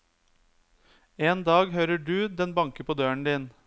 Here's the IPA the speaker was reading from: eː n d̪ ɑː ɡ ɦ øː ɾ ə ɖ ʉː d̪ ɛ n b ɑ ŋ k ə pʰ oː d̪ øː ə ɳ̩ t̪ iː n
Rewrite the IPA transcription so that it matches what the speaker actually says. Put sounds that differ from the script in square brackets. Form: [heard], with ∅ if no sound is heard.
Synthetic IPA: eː n d̪ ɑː ɡ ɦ øː ɾ ə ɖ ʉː d̪ ɛ n b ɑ ŋ k ə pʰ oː d̪ øː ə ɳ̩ [d̪] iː n

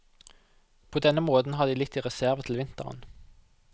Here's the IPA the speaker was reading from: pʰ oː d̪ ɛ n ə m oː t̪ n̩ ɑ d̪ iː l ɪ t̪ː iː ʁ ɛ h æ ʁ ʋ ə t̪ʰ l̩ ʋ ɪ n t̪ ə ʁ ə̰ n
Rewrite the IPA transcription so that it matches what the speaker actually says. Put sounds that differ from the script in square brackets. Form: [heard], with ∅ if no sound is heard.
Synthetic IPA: pʰ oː d̪ ɛ n ə m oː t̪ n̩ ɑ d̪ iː l ɪ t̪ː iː ʁ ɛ [s] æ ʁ ʋ ə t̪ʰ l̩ ʋ ɪ n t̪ ə ʁ ə̰ n

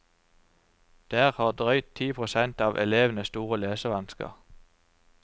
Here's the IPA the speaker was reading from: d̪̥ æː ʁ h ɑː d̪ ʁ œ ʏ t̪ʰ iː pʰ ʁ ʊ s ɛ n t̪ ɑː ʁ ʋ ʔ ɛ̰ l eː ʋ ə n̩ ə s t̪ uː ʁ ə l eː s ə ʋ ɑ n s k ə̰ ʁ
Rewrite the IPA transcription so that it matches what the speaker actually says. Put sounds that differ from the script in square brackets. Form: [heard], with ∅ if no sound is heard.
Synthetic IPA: d̪̥ æː ʁ h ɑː d̪ ʁ œ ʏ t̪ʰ iː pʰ ʁ ʊ s ɛ n t̪ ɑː [∅] ʋ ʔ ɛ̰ l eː ʋ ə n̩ ə s t̪ uː ʁ ə l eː s ə ʋ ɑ n s k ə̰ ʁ

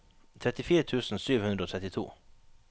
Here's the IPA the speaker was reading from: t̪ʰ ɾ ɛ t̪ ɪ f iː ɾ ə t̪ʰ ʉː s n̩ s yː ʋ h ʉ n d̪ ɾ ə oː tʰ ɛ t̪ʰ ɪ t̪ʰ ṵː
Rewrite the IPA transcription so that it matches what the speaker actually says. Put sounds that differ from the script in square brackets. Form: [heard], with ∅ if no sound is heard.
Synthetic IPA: t̪ʰ ɾ ɛ t̪ ɪ f iː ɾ ə t̪ʰ ʉː s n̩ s yː ʋ h ʉ n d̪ ɾ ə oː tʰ ɛ [t̪] ɪ t̪ʰ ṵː

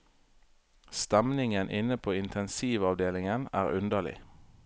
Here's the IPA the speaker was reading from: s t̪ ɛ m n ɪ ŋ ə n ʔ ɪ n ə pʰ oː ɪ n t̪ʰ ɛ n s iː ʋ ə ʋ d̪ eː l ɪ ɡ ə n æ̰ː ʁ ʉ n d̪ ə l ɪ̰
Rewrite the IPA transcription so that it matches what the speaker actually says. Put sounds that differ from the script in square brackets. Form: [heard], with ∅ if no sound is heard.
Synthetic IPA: s t̪ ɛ m n ɪ ŋ ə n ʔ ɪ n ə pʰ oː ɪ n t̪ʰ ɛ n s iː ʋ [ɑ] ʋ d̪ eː l ɪ [ŋ] ə n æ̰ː ʁ ʉ n d̪ ə l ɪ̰

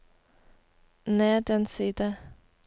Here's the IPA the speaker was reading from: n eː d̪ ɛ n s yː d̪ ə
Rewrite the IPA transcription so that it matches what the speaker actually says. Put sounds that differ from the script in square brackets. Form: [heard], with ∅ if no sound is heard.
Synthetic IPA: n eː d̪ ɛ n s [iː] d̪ ə

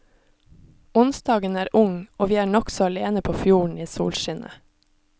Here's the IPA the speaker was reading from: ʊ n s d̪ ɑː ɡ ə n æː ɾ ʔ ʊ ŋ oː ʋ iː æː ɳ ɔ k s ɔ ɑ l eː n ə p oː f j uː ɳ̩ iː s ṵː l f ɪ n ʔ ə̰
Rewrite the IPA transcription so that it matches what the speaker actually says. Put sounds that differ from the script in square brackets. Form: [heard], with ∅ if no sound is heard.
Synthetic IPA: ʊ n s d̪ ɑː ɡ ə n æː ɾ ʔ ʊ ŋ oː ʋ iː æː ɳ ɔ k s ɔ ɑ l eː n ə [pʰ] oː f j uː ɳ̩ iː s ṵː l [ʃ] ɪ n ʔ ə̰

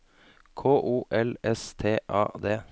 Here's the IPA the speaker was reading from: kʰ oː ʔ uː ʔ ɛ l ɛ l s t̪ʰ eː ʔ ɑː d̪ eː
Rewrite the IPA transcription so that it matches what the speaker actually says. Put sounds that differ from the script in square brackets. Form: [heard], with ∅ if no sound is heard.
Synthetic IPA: kʰ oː ʔ uː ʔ ɛ l ɛ [∅] s t̪ʰ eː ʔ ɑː d̪ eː

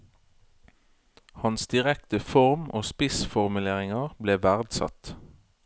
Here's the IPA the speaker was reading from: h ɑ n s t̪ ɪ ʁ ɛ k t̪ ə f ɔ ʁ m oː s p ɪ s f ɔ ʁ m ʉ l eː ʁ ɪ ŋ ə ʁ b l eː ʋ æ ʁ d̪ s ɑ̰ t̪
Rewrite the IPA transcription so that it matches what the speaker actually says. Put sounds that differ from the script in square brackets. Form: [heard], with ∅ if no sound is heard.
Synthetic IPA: h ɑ n s [d̪] ɪ ʁ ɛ k t̪ ə f ɔ ʁ m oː s p ɪ s f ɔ ʁ m ʉ l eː ʁ ɪ ŋ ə ʁ b l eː ʋ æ ʁ d̪ s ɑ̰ t̪

